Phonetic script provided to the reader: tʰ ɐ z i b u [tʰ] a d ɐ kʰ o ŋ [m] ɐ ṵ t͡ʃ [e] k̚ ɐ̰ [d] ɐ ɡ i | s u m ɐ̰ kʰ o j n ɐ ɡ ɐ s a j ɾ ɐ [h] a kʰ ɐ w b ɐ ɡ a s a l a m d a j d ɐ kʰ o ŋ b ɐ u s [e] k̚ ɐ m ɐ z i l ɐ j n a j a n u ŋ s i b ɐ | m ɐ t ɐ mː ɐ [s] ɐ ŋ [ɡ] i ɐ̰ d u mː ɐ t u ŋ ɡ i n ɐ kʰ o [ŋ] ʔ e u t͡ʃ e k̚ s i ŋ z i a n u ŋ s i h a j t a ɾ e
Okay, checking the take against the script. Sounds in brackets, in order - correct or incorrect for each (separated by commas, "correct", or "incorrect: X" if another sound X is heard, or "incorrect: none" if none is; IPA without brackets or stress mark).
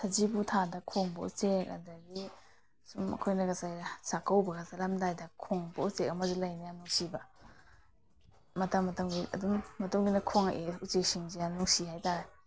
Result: correct, incorrect: b, correct, correct, incorrect: s, correct, incorrect: t, correct, correct